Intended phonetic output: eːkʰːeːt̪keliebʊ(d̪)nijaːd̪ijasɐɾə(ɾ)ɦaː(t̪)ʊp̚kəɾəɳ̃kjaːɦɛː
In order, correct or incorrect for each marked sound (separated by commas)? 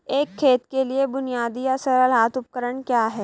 incorrect, incorrect, correct